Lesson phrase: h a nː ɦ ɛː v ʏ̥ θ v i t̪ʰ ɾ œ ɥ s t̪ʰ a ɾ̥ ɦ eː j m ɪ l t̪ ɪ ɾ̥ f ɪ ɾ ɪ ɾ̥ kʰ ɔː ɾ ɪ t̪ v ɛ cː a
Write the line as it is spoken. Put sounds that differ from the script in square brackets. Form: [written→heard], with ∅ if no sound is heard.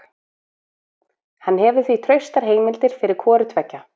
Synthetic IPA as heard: h a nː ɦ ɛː v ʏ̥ θ v i t̪ʰ ɾ œ ɥ s [t̪ʰ→t̪] a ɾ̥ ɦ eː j m ɪ l t̪ ɪ ɾ̥ f ɪ ɾ ɪ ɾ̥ kʰ ɔː ɾ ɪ t̪ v ɛ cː a